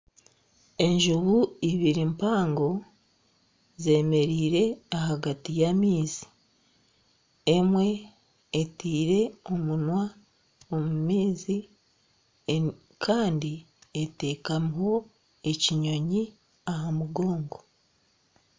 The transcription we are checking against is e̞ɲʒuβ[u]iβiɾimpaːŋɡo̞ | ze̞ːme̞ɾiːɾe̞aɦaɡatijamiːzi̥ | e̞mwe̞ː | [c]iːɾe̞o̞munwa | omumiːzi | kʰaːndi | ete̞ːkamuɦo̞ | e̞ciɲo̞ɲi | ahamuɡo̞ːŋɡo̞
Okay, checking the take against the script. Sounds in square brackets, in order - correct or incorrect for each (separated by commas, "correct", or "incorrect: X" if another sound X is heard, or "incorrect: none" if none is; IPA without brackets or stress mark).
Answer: correct, incorrect: t